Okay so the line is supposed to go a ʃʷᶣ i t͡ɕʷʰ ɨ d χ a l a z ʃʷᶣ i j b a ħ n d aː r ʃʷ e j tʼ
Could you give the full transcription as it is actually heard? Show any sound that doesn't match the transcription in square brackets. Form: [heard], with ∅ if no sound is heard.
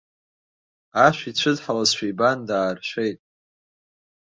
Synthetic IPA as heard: a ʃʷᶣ i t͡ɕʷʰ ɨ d [ħ] a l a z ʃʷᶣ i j b a [∅] n d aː r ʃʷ e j tʼ